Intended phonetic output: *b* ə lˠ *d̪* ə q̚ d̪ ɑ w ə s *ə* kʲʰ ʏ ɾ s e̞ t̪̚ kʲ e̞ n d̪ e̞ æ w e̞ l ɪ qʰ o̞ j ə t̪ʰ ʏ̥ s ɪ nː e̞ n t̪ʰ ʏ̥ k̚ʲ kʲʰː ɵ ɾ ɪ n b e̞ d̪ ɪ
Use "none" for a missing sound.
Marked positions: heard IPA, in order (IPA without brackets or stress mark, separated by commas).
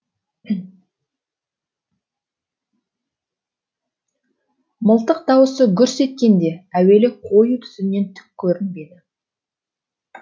m, t̪, ə